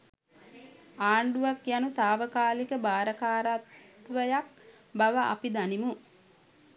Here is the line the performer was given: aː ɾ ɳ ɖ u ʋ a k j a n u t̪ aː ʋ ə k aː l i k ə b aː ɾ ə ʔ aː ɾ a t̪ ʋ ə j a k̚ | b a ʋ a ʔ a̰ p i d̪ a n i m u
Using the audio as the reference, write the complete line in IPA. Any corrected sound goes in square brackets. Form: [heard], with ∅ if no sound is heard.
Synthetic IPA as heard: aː [∅] ɳ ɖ u ʋ a k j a n u t̪ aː ʋ ə k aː l i k ə b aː ɾ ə [k] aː ɾ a t̪ ʋ ə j a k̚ | b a ʋ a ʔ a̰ p i d̪ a n i m u